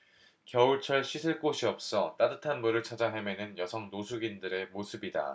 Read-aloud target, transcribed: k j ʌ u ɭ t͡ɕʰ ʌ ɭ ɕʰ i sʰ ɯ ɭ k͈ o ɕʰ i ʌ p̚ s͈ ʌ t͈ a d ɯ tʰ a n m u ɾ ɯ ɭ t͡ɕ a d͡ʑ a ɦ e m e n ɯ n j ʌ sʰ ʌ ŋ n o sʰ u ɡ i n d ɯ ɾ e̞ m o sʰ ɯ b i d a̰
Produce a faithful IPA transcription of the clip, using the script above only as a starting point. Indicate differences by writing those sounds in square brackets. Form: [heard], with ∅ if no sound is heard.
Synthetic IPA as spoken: k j ʌ u ɭ t͡ɕʰ ʌ ɭ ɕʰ i sʰ ɯ ɭ k͈ o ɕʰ i ʌ p̚ s͈ ʌ t͈ a d ɯ tʰ a n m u ɾ ɯ ɭ [t͡ɕʰ] a d͡ʑ a ɦ e m e n ɯ n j ʌ sʰ ʌ ŋ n o sʰ u ɡ i n d ɯ ɾ e̞ m o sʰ ɯ b i d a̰